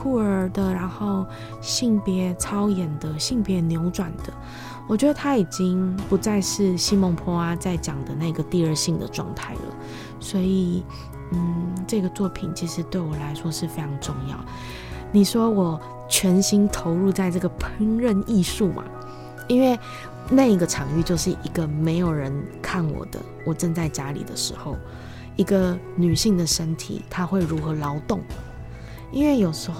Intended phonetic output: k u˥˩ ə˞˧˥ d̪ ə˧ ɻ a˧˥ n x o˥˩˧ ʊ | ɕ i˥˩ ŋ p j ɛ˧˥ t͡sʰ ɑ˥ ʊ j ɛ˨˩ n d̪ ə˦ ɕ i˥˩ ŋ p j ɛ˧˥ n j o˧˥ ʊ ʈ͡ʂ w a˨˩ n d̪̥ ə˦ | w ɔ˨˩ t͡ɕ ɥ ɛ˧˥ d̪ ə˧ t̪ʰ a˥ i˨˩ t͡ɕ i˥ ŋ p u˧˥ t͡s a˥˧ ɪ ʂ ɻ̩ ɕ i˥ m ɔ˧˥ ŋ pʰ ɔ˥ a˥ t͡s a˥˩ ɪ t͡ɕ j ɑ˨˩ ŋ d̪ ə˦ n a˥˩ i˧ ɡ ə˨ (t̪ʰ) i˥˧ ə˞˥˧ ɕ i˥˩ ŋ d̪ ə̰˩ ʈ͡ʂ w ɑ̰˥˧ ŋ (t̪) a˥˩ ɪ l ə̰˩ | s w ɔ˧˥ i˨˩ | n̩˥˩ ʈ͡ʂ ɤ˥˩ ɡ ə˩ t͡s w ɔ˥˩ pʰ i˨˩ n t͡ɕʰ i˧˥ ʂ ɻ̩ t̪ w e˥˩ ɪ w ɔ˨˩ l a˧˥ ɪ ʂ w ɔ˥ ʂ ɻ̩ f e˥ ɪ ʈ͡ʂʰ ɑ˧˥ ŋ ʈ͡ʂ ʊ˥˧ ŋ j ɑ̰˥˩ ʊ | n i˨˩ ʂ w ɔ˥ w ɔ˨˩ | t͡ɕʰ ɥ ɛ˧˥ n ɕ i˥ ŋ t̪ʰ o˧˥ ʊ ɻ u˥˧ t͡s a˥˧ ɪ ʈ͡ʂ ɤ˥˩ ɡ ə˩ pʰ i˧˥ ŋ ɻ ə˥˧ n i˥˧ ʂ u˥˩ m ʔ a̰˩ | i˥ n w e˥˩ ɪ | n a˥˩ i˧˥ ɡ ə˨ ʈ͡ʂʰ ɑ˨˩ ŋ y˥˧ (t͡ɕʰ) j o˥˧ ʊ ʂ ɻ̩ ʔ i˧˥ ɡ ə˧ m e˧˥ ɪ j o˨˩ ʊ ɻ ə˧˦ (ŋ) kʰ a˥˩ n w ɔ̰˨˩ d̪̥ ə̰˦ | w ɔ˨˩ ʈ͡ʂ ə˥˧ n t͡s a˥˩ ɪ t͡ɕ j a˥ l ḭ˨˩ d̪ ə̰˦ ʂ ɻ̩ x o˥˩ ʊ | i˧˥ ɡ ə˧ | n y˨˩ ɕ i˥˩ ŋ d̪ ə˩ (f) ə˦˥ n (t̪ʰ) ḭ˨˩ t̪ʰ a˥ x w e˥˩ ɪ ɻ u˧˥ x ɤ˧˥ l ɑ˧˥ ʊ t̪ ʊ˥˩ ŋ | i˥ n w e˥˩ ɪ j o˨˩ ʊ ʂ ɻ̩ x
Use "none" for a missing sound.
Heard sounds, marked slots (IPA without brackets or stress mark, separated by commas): t̪, t̪ʰ, t͡ɕ, n, ʂ, t̪ʰ